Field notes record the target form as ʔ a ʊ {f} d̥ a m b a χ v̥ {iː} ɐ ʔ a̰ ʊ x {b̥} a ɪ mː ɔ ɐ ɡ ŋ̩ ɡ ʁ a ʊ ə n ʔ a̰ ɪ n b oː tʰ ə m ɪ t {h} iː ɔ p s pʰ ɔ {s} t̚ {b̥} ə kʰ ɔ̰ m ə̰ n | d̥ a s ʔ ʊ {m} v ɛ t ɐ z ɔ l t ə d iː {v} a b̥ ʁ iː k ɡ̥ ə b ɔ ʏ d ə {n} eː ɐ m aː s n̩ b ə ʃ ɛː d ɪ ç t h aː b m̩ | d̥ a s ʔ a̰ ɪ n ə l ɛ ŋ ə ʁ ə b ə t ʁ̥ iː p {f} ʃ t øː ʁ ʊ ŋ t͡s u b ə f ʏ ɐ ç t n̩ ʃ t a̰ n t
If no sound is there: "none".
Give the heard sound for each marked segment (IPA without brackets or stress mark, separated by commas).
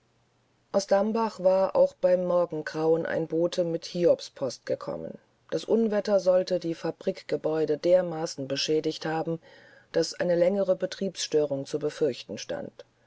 s, aː, b̥, h, s, ɡ̥, n, f, d, s